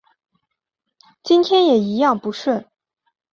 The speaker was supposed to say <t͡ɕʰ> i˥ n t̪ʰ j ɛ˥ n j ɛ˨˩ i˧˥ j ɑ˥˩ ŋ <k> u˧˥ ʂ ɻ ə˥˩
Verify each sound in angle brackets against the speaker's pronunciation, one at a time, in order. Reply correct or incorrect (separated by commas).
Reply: incorrect, incorrect